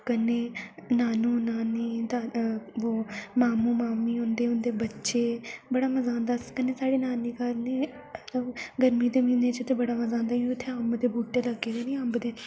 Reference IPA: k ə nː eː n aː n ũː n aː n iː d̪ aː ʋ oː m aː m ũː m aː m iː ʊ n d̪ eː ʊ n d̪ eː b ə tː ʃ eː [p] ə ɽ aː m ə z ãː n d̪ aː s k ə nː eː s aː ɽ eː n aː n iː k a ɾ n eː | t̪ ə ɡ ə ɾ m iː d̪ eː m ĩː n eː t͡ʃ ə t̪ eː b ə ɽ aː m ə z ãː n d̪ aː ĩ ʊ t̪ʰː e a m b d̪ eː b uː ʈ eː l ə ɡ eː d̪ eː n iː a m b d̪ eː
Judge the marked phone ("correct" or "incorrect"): incorrect